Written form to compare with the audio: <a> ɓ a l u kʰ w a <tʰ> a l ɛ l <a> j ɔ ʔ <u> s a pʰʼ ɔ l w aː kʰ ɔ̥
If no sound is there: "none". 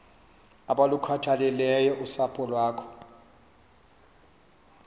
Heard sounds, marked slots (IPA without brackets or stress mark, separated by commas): a, tʰ, ɛ, u